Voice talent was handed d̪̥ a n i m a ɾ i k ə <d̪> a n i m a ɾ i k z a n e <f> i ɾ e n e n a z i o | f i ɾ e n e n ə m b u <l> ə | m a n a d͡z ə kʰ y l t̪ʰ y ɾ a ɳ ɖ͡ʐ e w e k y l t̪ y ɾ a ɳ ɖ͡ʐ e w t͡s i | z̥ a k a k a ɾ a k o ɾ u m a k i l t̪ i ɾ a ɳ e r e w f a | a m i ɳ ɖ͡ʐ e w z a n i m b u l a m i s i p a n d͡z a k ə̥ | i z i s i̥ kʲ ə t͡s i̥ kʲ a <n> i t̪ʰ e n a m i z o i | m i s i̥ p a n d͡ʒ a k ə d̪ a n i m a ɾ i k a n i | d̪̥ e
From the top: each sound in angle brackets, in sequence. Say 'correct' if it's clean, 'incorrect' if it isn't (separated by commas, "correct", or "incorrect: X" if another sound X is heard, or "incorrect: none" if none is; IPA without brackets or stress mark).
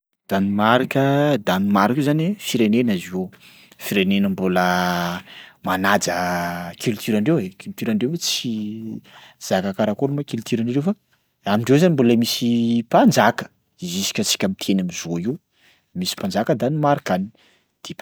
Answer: correct, correct, correct, incorrect: m